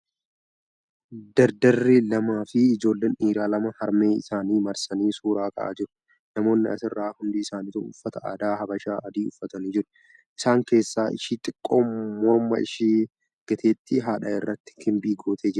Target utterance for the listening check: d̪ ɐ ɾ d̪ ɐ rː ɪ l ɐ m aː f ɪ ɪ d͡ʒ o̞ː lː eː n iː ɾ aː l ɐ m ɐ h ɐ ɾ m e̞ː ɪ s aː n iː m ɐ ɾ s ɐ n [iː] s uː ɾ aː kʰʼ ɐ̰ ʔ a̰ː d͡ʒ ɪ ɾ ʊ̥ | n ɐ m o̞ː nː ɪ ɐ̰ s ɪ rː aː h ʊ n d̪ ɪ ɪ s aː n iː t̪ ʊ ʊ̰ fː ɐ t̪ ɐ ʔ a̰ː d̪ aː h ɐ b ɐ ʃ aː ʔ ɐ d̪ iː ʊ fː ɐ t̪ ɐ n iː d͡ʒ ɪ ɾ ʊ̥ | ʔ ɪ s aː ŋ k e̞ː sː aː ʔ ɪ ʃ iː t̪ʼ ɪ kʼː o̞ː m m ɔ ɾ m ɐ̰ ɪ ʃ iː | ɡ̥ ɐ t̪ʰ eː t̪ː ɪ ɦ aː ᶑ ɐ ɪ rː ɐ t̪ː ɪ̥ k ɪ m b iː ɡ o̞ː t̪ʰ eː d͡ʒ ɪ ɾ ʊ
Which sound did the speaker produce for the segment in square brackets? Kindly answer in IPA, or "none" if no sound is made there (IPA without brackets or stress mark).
iː